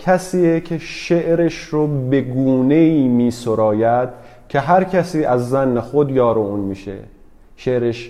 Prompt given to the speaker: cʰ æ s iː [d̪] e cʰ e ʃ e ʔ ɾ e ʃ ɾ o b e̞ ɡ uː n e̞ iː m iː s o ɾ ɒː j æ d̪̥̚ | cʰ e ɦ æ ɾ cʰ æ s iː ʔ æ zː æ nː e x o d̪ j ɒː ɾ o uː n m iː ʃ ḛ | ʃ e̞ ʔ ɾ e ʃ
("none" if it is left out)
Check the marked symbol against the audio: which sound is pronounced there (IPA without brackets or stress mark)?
none